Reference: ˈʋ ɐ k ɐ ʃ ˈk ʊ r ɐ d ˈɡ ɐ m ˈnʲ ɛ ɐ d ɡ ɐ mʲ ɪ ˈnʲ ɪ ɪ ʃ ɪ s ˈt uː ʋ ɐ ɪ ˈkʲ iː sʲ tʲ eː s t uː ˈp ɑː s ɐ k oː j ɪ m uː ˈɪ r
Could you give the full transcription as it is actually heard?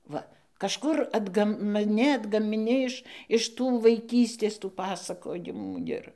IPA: ˈʋ ɐ k ɐ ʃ ˈk ʊ r ɐ d ˈɡ ɐ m ˈnʲ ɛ ɐ d ɡ ɐ mʲ ɪ ˈnʲ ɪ ɪ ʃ ɪ ʃ ˈt uː ʋ ɐ ɪ ˈkʲ iː sʲ tʲ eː s t uː ˈp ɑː s ɐ k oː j ɪ m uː ˈɪ r

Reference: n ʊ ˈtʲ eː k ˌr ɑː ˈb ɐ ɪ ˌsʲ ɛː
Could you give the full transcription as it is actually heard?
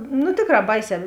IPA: n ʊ ˈtʲ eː k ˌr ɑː ˈb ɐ ɪ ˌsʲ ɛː

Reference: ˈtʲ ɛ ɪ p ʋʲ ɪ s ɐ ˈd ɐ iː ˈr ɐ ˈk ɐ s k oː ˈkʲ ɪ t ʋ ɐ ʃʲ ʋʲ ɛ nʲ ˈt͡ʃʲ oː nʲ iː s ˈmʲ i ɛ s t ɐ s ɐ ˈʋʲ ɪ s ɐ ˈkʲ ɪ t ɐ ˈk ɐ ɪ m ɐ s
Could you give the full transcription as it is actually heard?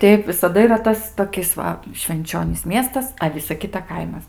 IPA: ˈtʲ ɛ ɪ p ʋʲ ɪ s ɐ ˈd ɐ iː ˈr ɐ ˈt ɐ s t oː ˈkʲ ɪ s ʋ ɐ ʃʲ ʋʲ ɛ nʲ ˈt͡ʃʲ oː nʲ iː s ˈmʲ i ɛ s t ɐ s ɐ ˈʋʲ ɪ s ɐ ˈkʲ ɪ t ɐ ˈk ɐ ɪ m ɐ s

